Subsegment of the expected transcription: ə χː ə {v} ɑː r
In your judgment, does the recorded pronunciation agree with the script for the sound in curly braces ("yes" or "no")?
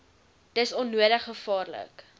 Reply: no